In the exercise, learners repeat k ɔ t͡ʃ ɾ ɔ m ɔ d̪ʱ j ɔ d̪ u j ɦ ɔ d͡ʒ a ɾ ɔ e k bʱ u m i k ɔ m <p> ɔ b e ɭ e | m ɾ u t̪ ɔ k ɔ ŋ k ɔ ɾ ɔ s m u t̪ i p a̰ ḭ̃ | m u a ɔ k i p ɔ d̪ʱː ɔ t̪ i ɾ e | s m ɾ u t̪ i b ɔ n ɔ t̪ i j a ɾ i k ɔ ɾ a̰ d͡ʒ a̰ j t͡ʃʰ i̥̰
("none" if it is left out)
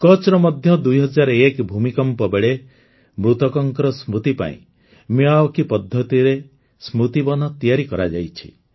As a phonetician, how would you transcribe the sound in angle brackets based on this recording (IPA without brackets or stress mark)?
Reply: p